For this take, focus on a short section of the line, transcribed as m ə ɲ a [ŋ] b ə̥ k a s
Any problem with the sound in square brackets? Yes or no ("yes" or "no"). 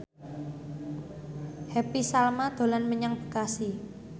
no